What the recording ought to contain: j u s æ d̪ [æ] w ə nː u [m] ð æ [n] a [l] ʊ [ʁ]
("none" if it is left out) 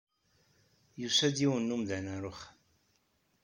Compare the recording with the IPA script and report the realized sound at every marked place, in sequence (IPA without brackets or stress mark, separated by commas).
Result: i, m, n, ɾ, χ